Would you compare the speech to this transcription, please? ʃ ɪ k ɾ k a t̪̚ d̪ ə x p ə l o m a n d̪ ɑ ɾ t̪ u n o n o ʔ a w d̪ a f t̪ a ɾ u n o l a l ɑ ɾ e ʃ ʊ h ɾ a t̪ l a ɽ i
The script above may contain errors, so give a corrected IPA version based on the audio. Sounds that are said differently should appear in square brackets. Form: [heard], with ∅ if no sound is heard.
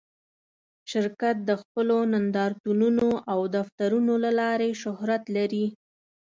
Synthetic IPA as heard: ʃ ɪ [∅] ɾ k a t̪̚ d̪ ə x p ə l o [n] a n d̪ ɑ ɾ t̪ u n [u] n o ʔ a w d̪ a f t̪ a ɾ u n o l a l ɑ ɾ e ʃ ʊ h ɾ a t̪ l a [ɾ] i